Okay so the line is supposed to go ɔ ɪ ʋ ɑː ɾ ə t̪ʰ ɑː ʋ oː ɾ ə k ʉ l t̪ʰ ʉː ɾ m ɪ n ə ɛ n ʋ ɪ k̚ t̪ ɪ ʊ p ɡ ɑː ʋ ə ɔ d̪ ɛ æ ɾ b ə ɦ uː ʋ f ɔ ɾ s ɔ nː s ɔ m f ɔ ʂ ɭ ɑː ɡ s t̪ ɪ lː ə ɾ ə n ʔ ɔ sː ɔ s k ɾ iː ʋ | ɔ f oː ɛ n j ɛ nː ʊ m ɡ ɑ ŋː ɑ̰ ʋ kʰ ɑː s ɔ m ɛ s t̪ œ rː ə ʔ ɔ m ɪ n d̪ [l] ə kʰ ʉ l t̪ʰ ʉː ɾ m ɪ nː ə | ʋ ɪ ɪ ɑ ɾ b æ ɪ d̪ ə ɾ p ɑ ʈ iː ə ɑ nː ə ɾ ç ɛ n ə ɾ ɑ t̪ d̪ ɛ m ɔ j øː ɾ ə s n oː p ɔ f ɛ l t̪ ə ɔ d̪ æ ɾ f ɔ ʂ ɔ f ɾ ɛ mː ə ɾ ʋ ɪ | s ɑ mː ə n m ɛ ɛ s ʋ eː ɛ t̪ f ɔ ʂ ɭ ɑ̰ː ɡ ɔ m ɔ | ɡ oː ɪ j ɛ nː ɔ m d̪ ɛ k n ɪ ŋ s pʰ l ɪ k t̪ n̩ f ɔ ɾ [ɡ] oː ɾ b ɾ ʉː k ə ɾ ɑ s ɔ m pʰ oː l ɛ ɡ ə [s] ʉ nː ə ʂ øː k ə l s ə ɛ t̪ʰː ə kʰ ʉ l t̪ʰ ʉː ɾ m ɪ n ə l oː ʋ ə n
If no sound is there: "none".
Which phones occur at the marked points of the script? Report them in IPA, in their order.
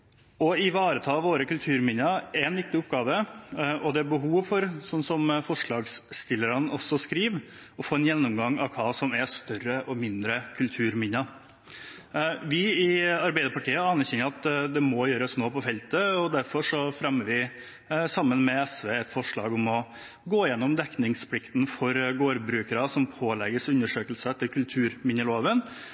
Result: ɾ, ɡ, s

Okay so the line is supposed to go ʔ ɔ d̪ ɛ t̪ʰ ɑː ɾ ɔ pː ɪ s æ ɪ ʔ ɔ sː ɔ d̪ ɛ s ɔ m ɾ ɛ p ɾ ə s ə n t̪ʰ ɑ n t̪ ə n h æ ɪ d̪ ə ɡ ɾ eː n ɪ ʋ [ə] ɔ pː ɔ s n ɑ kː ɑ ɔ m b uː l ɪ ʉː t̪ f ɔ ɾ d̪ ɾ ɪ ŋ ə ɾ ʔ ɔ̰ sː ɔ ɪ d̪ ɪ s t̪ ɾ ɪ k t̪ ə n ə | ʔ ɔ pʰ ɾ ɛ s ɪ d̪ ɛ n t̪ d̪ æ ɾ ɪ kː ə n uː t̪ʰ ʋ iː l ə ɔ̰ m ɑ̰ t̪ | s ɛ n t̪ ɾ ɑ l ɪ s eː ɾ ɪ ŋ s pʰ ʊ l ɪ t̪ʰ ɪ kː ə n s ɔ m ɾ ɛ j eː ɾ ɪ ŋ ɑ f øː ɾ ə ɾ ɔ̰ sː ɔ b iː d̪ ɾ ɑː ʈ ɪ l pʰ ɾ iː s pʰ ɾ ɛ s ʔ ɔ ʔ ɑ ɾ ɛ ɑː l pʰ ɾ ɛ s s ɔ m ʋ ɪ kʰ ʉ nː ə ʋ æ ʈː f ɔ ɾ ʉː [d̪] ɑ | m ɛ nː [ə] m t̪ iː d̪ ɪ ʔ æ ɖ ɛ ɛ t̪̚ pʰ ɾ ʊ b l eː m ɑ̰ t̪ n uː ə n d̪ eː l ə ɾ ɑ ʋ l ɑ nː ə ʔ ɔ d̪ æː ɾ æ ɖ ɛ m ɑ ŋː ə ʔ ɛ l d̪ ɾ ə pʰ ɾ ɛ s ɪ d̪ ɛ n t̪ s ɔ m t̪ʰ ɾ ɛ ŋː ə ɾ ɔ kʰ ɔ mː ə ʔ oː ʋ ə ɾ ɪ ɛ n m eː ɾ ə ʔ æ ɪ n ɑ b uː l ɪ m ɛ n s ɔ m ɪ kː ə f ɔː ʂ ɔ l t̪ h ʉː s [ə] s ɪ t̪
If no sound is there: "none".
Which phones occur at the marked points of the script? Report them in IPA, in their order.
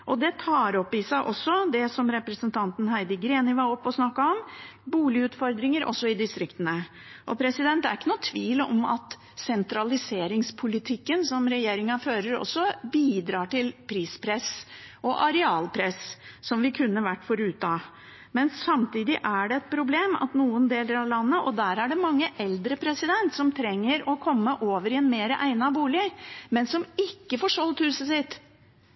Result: ɑ, t̪, ɑ, ə

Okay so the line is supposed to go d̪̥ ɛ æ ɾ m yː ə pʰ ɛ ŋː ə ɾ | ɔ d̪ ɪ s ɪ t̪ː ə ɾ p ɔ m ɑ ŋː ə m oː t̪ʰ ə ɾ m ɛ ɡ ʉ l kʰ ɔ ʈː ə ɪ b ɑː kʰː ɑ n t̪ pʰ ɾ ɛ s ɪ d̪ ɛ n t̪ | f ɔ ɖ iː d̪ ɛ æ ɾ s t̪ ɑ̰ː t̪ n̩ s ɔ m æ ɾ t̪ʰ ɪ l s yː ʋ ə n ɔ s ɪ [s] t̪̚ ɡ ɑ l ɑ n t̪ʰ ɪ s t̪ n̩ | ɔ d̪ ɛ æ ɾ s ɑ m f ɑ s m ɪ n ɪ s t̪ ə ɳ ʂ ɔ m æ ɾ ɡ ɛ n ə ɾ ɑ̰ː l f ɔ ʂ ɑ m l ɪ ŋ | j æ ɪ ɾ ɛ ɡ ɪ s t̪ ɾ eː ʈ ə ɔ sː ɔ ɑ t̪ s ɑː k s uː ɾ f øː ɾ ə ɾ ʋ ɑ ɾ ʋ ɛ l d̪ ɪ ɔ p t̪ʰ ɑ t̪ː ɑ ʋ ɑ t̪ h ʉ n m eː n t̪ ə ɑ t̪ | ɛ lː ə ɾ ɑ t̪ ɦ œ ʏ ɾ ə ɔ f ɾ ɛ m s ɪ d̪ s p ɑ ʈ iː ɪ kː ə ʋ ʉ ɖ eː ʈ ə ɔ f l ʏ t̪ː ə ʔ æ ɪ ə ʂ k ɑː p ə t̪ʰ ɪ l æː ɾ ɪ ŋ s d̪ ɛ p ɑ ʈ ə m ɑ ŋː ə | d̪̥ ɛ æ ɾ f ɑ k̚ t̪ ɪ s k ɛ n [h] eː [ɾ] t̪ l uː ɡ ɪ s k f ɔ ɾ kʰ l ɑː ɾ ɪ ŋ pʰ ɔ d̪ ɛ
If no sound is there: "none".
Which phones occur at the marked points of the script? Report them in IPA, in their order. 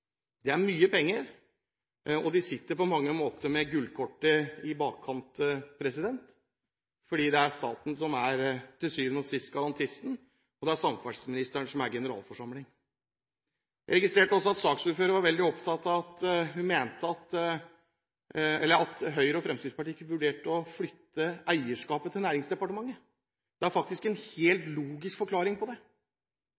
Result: s, h, l

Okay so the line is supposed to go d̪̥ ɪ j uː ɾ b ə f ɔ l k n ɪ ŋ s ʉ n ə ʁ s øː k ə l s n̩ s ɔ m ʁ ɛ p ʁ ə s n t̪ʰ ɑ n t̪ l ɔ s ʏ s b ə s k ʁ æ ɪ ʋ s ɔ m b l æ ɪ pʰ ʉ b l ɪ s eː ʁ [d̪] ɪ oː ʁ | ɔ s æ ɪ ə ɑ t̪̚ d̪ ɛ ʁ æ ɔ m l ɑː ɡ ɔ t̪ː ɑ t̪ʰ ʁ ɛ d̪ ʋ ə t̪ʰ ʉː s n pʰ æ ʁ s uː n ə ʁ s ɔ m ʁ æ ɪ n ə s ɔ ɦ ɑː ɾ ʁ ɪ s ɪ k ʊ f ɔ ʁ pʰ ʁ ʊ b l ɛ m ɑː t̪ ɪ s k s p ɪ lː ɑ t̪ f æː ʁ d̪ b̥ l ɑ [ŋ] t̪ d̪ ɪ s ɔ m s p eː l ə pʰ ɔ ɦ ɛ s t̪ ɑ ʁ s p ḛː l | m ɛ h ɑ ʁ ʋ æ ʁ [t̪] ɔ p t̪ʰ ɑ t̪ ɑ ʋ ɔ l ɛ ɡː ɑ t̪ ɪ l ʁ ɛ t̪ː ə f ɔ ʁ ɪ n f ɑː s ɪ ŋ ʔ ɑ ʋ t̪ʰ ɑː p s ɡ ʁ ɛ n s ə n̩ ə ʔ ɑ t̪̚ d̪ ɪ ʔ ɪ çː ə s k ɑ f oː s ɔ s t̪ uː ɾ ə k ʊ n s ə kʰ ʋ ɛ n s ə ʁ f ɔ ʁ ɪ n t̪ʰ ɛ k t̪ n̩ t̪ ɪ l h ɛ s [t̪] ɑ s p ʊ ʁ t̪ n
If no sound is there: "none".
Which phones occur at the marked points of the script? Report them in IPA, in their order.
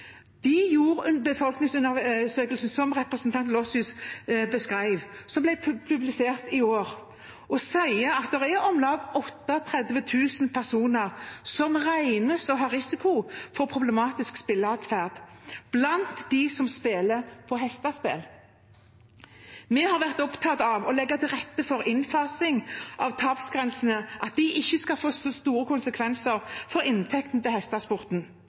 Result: t̪, n, t̪, t̪

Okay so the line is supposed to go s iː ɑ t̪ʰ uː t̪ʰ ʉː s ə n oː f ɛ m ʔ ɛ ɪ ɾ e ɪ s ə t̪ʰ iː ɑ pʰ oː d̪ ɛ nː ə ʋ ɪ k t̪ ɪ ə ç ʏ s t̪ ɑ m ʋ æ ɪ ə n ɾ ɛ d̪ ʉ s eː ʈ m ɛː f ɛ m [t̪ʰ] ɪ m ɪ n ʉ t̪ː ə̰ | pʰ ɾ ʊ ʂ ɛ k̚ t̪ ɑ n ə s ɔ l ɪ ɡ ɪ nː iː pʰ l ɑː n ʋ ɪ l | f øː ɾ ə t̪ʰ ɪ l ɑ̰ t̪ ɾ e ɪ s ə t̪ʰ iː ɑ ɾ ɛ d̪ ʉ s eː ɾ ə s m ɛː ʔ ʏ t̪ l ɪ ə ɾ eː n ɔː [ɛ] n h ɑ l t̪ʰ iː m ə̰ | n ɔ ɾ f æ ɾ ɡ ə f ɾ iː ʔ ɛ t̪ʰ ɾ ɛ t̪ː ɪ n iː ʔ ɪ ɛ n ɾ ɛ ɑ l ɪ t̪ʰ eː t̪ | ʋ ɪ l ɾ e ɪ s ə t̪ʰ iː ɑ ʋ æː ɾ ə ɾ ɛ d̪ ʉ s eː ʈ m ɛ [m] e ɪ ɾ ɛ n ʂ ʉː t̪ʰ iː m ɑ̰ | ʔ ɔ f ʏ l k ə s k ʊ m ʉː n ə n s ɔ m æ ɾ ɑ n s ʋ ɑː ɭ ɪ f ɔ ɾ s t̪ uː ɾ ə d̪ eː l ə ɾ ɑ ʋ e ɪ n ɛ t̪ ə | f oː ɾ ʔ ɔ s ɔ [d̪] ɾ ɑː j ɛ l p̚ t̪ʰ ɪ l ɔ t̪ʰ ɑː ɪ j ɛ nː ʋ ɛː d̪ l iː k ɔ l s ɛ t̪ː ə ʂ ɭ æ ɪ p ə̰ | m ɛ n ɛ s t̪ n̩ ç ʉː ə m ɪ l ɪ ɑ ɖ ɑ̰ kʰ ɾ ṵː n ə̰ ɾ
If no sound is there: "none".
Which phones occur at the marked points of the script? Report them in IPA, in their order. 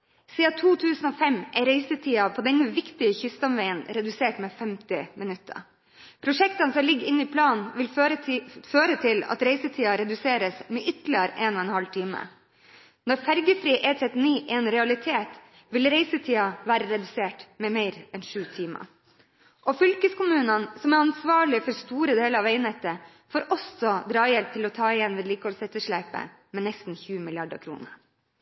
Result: t̪, ɛ, m, d̪

